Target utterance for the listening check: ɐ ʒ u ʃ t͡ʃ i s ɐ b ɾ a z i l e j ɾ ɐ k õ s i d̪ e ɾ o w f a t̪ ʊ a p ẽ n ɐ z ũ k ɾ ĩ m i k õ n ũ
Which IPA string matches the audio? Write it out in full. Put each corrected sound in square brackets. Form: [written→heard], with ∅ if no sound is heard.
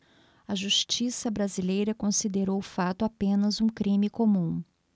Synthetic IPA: ɐ ʒ u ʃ t͡ʃ i s ɐ b ɾ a z i l e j ɾ ɐ k õ s i d̪ e ɾ o w f a t̪ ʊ a p ẽ n ɐ z ũ k ɾ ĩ m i k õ [n→m] ũ